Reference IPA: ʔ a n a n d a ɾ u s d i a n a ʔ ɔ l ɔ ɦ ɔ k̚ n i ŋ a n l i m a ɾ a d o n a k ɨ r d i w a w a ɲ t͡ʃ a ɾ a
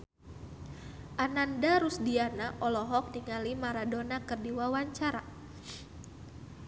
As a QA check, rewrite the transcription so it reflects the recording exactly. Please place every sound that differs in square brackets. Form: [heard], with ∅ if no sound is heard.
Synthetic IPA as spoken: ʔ a n a n d a ɾ u s d i a n a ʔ ɔ l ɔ ɦ ɔ k̚ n i ŋ a [∅] l i m a ɾ a d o n a k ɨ r d i w a w a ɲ t͡ʃ a ɾ a